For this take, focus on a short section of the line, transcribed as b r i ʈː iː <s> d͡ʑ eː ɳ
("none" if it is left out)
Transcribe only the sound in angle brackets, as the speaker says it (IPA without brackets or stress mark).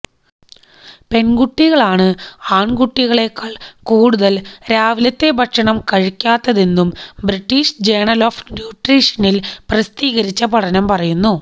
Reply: ʂ